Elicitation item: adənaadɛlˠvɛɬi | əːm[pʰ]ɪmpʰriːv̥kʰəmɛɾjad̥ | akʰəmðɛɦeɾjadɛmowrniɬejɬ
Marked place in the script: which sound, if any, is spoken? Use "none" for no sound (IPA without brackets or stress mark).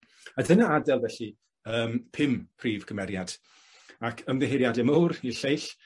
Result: pʰ